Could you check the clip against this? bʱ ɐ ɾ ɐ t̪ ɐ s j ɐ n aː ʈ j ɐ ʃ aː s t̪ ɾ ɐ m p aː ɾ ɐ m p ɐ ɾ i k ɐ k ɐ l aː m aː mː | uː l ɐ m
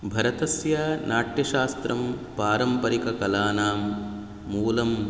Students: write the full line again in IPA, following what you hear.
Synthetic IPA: bʱ ɐ ɾ ɐ t̪ ɐ s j ɐ n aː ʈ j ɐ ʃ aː s t̪ ɾ ɐ m p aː ɾ ɐ m p ɐ ɾ i k ɐ k ɐ l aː n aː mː | uː l ɐ m